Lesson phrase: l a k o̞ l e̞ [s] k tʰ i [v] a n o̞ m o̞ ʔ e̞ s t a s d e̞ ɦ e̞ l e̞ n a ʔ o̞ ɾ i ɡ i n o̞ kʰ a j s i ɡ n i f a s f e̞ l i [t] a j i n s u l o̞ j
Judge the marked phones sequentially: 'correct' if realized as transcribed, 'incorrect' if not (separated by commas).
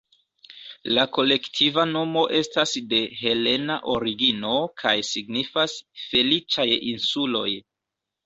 incorrect, correct, incorrect